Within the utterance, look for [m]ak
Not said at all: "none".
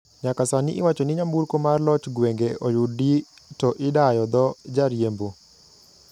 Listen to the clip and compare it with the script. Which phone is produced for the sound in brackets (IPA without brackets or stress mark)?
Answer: ɲ